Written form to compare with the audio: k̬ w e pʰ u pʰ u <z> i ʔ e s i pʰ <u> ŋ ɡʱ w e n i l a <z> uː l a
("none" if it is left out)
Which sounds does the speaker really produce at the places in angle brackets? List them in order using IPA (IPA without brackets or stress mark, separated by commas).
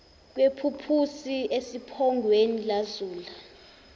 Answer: s, ɔ, z